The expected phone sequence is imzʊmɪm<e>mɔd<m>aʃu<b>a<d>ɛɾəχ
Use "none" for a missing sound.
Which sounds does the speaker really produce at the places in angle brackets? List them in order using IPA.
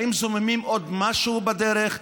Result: i, m, b, d

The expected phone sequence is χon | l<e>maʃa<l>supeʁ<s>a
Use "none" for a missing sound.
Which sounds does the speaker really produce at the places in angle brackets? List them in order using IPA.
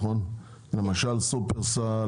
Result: e, l, s

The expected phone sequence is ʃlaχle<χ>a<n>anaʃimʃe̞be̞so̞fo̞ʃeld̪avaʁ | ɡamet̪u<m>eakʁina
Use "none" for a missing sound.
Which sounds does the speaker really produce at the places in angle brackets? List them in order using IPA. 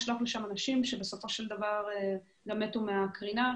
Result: ʃ, m, m

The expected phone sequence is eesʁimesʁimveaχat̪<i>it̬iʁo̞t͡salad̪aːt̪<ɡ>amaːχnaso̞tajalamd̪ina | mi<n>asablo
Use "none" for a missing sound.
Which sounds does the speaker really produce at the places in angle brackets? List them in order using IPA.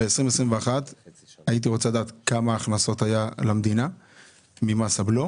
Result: a, k, m

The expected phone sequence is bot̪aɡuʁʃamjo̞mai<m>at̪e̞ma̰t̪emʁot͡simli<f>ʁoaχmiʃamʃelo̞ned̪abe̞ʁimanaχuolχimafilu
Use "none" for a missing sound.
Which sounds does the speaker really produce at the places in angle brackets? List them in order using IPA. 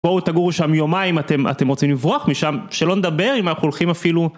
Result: m, v

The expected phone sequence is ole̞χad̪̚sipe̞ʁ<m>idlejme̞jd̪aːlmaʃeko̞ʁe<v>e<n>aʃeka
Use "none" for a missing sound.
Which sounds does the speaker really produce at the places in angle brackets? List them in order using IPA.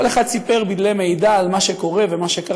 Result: b, v, m

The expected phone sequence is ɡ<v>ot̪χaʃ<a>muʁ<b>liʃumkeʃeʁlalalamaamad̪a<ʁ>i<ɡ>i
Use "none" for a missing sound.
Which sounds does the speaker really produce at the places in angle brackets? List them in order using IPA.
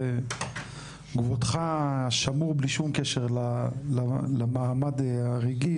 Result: v, a, b, ʁ, ɡ

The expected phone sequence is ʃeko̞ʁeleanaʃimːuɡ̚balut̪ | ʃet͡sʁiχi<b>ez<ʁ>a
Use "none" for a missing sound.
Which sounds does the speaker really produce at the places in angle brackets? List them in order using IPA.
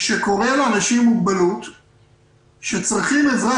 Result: m, ʁ

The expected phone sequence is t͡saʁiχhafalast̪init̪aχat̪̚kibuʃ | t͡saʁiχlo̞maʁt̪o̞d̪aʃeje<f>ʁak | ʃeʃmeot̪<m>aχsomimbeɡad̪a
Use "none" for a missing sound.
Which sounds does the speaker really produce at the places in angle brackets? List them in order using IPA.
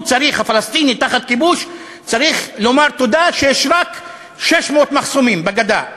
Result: ʃ, m

